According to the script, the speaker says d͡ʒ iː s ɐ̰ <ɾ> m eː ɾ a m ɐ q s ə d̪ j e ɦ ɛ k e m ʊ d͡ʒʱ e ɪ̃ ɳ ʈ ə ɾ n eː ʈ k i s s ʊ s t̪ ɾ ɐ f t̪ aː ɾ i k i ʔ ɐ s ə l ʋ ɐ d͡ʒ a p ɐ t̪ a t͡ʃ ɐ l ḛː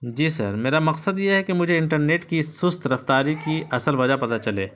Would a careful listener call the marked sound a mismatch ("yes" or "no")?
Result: no